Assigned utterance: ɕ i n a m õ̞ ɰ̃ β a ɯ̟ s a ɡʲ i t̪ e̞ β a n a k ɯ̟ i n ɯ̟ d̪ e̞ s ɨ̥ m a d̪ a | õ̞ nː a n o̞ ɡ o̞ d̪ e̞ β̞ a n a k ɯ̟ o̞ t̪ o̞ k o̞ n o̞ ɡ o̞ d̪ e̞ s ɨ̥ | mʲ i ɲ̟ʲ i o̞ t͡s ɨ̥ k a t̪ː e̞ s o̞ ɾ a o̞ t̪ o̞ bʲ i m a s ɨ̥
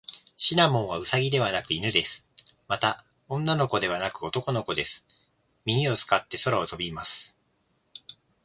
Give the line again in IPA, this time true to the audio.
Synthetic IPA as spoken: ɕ i n a m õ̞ ɰ̃ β a ɯ̟ s a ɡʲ i d̪ e̞ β a n a k ɯ̟ i n ɯ̟ d̪ e̞ s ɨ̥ m a t̪ a | õ̞ nː a n o̞ k o̞ d̪ e̞ β̞ a n a k ɯ̟ o̞ t̪ o̞ k o̞ n o̞ k o̞ d̪ e̞ s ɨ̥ | mʲ i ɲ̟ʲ i o̞ t͡s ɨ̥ k a t̪ː e̞ s o̞ ɾ a o̞ t̪ o̞ bʲ i m a s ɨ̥